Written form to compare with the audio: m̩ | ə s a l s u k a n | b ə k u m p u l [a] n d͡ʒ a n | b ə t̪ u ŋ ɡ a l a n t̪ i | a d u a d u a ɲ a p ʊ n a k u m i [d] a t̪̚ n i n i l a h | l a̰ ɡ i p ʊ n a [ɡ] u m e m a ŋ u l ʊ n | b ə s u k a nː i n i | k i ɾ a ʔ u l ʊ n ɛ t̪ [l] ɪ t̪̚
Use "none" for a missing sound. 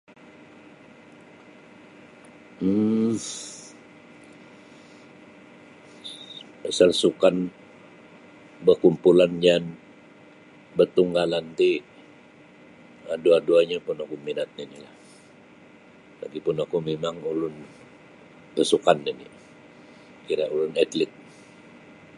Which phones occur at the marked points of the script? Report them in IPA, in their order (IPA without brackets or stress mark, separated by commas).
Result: a, n, k, l